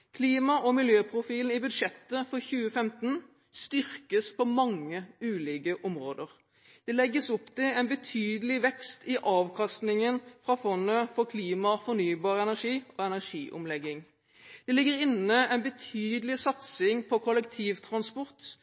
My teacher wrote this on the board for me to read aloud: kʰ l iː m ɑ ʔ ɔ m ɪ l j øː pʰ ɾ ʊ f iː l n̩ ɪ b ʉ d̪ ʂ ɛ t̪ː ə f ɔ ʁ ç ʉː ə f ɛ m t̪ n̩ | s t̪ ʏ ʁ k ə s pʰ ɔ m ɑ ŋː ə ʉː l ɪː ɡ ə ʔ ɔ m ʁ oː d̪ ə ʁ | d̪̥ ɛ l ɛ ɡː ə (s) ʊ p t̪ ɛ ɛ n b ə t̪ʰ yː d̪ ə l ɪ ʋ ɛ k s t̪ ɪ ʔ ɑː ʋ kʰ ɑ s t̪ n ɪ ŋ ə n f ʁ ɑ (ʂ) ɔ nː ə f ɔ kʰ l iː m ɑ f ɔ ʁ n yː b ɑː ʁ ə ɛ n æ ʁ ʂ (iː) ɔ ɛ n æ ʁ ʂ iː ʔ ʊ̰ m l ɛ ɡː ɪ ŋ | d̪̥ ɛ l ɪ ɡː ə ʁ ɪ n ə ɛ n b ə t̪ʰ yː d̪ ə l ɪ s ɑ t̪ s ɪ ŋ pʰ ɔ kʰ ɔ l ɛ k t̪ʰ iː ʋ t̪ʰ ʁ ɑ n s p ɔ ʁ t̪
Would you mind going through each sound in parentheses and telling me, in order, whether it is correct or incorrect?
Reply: correct, incorrect: f, correct

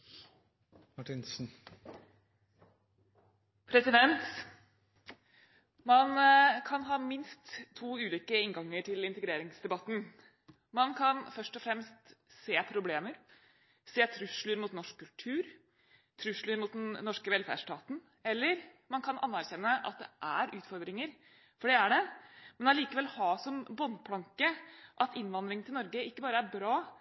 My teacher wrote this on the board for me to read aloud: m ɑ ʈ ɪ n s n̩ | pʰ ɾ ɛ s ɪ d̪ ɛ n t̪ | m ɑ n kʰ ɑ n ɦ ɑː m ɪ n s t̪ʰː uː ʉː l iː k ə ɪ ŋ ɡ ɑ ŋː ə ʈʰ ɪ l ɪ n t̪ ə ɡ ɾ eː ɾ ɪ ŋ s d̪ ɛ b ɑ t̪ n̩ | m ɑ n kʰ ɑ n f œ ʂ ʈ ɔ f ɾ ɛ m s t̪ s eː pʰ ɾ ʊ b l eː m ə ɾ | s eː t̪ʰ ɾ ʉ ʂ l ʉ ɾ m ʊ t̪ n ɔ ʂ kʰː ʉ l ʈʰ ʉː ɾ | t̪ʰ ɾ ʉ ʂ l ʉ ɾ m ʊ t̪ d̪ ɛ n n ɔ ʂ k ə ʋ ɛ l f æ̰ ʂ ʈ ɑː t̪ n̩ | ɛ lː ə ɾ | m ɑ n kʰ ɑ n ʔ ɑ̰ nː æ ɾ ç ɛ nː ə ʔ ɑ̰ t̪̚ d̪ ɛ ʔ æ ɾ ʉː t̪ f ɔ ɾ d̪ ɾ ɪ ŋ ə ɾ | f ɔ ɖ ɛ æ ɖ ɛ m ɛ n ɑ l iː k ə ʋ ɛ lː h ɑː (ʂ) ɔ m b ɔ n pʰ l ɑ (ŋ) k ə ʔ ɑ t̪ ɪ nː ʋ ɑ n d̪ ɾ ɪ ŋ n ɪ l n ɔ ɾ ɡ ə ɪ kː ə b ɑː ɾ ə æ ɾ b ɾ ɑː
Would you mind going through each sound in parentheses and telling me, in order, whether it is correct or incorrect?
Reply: incorrect: s, correct

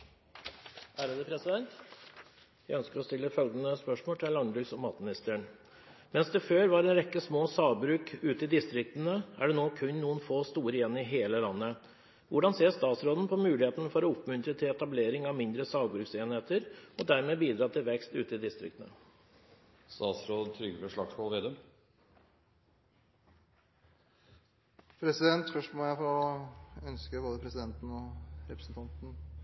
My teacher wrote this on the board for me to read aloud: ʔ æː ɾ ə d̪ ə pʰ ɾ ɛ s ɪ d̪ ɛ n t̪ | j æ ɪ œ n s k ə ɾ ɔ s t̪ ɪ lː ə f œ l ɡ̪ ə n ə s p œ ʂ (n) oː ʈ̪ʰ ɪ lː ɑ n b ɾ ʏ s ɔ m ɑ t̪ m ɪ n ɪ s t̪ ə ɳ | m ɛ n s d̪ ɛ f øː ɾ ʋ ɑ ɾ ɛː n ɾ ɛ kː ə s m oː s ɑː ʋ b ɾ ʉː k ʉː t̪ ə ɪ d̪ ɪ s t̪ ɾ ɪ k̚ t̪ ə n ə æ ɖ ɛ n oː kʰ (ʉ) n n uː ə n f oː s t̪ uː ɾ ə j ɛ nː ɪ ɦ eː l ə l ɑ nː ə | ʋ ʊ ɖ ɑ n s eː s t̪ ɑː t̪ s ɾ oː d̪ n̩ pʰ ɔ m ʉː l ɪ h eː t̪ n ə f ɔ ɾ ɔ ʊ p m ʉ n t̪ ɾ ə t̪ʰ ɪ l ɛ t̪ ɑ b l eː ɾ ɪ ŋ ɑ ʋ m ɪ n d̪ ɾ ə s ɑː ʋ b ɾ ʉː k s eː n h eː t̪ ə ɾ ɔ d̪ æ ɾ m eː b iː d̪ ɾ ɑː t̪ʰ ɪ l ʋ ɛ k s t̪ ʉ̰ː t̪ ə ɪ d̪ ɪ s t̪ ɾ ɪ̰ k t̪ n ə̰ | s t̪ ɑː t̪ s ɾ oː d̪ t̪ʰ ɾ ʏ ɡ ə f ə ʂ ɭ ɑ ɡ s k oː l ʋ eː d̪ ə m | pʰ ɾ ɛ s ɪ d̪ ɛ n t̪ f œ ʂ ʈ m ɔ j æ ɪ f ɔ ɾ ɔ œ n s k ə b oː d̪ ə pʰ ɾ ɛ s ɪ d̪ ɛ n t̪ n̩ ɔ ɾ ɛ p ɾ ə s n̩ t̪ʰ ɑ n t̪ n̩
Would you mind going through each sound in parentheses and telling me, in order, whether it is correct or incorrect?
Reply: incorrect: m, correct

